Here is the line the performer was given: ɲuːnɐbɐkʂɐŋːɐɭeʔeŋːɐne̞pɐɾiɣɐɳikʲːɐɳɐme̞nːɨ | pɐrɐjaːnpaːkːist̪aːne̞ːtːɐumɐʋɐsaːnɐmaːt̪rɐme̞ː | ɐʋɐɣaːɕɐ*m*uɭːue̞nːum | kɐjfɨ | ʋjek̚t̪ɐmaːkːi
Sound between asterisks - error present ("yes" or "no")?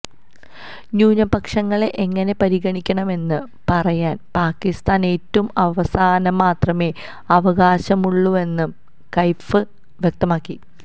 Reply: no